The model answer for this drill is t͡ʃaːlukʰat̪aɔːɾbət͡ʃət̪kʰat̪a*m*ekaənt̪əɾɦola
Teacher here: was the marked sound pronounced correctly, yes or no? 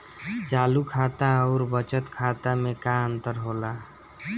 yes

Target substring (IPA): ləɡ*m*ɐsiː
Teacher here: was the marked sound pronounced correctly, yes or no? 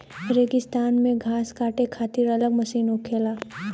yes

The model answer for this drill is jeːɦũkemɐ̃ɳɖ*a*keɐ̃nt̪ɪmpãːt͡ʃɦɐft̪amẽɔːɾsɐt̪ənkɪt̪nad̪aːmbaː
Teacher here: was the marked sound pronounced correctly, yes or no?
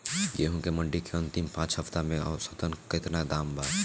no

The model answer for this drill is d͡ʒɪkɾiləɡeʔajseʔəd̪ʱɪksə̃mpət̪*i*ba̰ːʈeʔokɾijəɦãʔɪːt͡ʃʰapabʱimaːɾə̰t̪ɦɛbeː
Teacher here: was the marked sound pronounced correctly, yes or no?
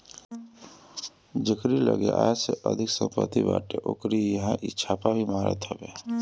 yes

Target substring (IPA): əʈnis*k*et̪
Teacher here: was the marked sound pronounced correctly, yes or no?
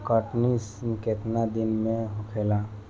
yes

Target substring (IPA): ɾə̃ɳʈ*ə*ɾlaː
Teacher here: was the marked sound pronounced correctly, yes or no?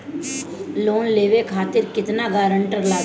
yes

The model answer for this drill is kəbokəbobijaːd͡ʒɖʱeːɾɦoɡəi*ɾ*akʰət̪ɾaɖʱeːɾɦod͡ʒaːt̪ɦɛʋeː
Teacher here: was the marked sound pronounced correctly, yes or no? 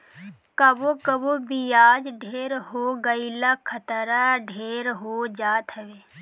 no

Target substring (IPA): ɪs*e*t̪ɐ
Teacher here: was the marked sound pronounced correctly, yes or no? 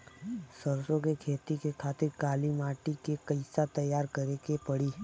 no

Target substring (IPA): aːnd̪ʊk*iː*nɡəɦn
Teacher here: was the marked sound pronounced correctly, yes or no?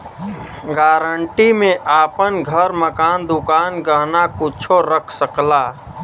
no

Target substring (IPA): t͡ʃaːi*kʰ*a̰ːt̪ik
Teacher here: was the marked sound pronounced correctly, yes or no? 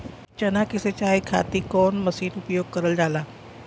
yes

